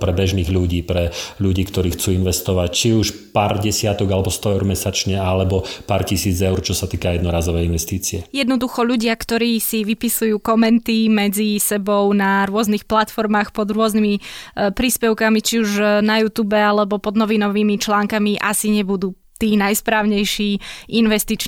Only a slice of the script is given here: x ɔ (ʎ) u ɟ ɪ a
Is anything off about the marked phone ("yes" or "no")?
no